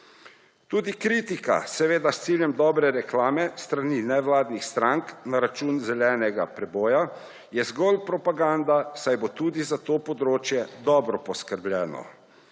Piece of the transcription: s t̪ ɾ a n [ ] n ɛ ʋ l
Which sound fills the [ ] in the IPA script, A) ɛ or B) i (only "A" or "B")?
B